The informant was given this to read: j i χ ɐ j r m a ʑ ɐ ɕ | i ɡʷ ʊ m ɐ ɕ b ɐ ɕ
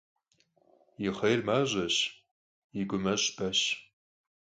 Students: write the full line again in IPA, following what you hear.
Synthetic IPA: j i χ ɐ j r m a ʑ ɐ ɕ | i ɡʷ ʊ m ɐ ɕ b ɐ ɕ

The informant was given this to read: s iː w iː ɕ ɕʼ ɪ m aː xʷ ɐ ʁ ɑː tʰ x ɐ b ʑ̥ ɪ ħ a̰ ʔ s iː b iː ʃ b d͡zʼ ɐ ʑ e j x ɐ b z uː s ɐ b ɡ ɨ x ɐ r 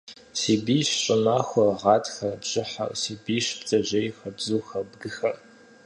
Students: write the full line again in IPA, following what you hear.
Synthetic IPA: s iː b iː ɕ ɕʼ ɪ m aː xʷ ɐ ʁ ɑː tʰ x ɐ b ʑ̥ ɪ ħ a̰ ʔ s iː b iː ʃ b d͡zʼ ɐ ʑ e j x ɐ b z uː x ɐ b ɡ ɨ x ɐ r

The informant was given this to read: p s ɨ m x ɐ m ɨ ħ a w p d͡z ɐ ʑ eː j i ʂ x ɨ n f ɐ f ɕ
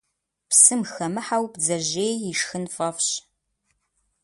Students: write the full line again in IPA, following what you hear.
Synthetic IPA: p s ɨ m x ɐ m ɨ ħ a w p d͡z ɐ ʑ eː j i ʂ x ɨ n f ɐ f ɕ

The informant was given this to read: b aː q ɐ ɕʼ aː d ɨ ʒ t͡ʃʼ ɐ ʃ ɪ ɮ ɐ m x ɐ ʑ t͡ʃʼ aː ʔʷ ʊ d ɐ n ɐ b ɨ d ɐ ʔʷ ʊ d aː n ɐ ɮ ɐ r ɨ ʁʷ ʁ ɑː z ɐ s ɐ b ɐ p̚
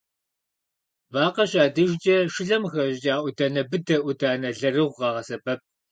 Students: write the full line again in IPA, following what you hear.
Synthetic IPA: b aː q ɐ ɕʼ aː d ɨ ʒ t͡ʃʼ ɐ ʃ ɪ ɮ ɐ m x ɐ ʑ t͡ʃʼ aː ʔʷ ʊ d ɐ n ɐ b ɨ d ɐ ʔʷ ʊ d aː n ɐ ɮ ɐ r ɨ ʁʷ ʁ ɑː ʁ ɐ s ɐ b ɐ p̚

